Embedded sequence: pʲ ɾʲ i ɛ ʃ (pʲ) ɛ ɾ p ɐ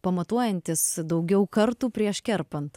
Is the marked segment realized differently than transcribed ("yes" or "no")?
yes